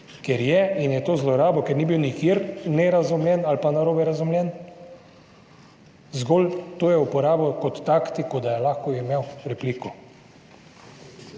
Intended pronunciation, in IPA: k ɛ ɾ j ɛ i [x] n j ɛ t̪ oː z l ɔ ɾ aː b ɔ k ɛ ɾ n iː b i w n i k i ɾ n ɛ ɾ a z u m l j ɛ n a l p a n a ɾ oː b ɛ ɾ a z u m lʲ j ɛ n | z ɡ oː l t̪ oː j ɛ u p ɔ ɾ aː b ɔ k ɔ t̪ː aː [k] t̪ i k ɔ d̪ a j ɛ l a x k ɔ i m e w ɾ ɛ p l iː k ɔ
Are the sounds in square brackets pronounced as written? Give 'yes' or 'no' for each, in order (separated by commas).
no, yes